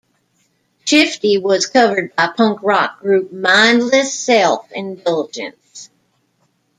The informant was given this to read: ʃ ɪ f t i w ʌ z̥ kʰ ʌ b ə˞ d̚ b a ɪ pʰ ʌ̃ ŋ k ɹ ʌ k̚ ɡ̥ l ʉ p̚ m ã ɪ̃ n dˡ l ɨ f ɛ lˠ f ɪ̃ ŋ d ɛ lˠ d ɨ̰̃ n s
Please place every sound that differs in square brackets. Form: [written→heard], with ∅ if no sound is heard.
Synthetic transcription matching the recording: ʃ ɪ f t i w ʌ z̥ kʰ ʌ [b→v] ə˞ d̚ b a ɪ pʰ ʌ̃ ŋ k ɹ [ʌ→ɑ] k̚ ɡ̥ [l→ɹ] ʉ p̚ m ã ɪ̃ n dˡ l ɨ [f→s] ɛ lˠ f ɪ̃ [ŋ→n] d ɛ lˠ [d→d͡ʒ] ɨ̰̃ n s

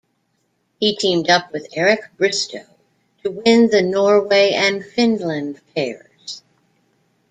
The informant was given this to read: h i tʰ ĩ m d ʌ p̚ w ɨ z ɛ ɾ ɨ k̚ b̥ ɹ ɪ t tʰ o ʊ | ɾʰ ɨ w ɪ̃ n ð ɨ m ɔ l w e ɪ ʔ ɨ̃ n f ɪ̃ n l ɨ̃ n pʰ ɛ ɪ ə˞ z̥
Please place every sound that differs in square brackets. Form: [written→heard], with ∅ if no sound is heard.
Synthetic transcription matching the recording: h i tʰ ĩ m d ʌ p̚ w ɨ [z→ð] ɛ [ɾ→ɹ] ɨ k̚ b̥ ɹ ɪ [t→s] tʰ o ʊ | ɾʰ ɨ w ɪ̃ n ð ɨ [m→n] ɔ [l→ɹ] w e ɪ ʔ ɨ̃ n f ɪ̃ n l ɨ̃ n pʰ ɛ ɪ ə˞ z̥

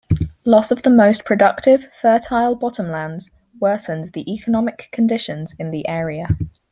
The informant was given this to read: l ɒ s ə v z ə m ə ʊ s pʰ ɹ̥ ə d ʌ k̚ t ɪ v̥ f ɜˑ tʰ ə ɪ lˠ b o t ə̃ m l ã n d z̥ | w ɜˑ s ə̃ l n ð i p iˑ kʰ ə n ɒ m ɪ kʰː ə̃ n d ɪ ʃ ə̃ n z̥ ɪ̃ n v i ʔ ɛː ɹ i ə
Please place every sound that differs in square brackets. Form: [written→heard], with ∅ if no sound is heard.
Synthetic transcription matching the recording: l ɒ s ə v [z→ð] ə m ə ʊ s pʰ ɹ̥ ə d ʌ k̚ t ɪ v̥ f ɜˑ tʰ [ə→a] ɪ lˠ b [o→ɒ] t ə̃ m l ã n d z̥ | w ɜˑ s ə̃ [l→∅] n ð i [p→ʔ] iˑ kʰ ə n ɒ m ɪ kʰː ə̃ n d ɪ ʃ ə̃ n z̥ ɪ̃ n [v→ð] i ʔ ɛː ɹ i ə

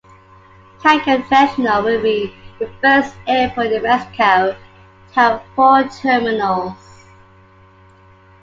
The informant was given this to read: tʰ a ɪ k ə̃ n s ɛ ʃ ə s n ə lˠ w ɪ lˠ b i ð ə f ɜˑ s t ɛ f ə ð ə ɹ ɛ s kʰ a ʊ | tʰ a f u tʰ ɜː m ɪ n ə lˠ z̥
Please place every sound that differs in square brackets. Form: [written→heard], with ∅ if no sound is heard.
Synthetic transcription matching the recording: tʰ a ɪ k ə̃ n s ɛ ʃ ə [s→∅] n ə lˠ w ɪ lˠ b i ð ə f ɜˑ s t ɛ f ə ð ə ɹ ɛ s kʰ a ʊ | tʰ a f [u→ɔ] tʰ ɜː m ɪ n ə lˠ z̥

